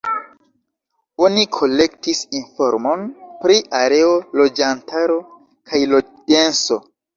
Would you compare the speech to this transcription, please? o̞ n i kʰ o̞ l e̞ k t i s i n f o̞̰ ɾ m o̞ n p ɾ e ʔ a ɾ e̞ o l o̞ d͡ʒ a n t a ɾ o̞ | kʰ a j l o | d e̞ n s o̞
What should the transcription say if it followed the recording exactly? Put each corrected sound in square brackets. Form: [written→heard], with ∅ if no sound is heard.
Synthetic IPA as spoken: o̞ n i kʰ o̞ l e̞ k t i s i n f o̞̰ ɾ m o̞ n p ɾ [e→i] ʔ a ɾ e̞ o l o̞ d͡ʒ a n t a ɾ o̞ | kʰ a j l o | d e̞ n s o̞